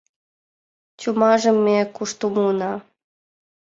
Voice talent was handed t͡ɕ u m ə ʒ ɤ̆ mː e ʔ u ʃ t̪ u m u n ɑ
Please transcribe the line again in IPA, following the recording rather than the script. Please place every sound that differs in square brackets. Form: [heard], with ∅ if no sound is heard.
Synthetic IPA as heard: t͡ɕ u m [ɑ] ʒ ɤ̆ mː e [k] u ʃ t̪ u m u n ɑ